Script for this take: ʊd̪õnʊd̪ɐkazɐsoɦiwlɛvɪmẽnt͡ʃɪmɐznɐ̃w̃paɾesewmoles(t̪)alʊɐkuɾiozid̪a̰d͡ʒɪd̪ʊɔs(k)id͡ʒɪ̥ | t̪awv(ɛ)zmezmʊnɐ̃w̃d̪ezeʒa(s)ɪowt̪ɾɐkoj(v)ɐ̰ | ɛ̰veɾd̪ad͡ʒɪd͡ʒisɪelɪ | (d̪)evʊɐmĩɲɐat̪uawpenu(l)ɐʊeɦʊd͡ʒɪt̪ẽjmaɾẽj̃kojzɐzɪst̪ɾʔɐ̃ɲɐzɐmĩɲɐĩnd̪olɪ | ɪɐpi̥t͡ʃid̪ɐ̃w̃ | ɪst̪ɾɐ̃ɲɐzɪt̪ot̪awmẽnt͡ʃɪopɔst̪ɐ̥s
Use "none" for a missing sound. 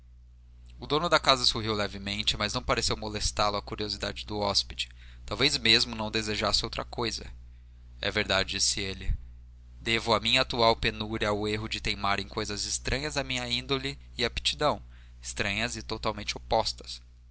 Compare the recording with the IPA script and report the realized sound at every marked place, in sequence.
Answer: t̪, p, e, s, z, d̪, ɾ

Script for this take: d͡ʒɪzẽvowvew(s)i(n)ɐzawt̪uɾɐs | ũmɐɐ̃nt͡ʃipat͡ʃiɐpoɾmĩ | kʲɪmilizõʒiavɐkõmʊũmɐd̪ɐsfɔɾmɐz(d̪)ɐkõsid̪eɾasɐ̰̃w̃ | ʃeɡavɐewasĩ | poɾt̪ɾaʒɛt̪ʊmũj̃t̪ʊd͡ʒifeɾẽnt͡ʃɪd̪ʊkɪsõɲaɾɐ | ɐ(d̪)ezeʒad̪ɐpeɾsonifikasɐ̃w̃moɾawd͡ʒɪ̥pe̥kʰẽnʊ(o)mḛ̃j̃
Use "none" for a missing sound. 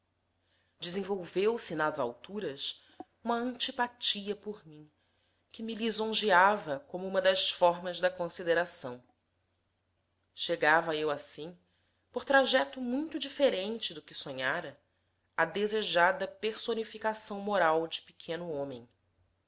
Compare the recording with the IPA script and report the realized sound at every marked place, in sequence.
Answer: s, n, d̪, d̪, õ

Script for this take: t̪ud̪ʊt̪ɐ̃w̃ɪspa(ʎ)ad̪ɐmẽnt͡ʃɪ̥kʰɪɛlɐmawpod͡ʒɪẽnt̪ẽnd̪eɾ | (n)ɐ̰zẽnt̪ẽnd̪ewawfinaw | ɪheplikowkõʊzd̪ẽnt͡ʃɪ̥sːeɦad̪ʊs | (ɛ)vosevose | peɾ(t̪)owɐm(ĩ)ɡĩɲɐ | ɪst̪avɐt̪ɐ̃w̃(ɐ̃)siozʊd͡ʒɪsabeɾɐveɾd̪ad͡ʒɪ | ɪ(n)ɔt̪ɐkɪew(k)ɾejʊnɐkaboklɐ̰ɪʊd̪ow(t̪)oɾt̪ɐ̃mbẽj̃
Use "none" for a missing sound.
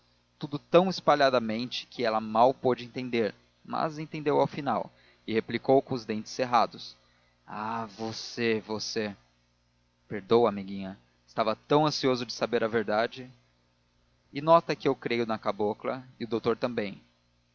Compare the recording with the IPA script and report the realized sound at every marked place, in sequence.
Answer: ʎ, m, a, d̪, i, ɐ̃, n, k, t̪

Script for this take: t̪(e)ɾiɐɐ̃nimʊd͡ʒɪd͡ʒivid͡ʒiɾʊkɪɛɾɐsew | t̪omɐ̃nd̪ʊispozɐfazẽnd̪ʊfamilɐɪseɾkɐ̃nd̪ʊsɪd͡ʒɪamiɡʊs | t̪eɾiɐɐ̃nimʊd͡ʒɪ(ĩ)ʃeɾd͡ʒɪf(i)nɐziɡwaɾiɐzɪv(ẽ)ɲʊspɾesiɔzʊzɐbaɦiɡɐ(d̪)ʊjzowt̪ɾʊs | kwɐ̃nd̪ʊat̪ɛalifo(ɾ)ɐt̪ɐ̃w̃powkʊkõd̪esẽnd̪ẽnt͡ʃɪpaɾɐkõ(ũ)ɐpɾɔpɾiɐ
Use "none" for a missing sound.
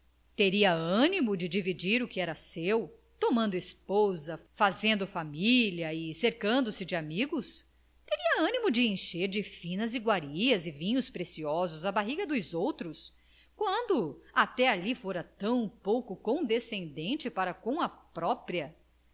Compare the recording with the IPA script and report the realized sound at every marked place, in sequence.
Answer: e, ẽ, ĩ, ĩ, d̪, ɾ, w̃

